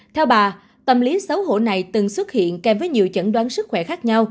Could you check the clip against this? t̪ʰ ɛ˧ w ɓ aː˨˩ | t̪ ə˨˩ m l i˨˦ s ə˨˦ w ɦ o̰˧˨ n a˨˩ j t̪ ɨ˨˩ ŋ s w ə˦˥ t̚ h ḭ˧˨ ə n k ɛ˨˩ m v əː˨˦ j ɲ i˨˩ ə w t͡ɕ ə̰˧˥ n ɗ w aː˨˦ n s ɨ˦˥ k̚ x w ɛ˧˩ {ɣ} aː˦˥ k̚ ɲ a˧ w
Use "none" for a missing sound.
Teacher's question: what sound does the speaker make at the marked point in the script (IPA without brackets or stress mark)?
x